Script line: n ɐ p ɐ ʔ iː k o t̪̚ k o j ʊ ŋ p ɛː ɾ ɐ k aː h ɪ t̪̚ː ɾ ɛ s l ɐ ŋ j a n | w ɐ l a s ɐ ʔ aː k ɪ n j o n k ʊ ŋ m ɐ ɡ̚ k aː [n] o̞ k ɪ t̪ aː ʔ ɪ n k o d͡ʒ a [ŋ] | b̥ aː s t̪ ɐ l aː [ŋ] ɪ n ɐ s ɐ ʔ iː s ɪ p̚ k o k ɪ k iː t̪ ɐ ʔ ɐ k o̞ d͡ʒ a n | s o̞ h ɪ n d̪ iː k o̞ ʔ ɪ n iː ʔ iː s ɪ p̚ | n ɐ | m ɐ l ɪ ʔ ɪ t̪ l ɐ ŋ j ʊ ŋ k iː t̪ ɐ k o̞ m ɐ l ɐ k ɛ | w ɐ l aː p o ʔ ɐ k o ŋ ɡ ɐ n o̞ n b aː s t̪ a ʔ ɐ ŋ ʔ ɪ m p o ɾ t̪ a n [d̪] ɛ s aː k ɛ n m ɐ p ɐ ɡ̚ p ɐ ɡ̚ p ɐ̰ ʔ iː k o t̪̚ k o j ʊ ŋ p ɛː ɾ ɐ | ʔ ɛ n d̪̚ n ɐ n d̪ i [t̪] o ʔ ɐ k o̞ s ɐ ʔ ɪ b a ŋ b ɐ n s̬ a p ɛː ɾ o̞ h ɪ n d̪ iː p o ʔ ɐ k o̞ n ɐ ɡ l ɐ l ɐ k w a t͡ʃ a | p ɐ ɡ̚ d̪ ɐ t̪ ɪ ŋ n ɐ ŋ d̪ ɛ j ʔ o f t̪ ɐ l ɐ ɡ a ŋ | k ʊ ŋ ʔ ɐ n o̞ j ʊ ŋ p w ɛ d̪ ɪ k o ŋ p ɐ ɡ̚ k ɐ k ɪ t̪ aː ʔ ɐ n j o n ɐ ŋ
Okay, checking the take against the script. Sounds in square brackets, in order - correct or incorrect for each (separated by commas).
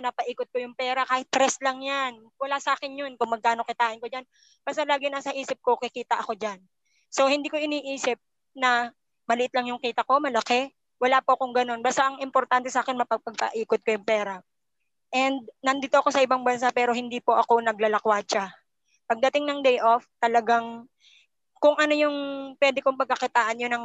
correct, incorrect, incorrect, incorrect, correct